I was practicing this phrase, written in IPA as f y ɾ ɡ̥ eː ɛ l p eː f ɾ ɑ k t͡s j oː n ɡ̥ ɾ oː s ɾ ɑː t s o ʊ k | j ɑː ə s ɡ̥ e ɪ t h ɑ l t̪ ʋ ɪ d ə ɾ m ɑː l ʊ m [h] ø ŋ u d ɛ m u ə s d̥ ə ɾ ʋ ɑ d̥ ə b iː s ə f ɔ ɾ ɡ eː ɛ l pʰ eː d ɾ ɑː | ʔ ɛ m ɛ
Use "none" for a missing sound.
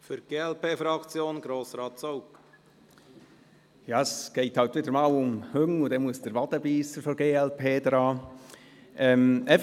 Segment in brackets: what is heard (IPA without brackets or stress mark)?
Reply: h